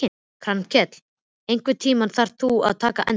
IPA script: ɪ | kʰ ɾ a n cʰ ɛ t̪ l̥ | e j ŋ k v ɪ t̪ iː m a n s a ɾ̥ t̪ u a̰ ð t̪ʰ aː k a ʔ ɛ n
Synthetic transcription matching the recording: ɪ | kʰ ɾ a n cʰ ɛ t̪ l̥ | e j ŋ k v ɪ t̪ʰ iː m a n θ a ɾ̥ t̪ u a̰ ð t̪ʰ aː k a ʔ ɛ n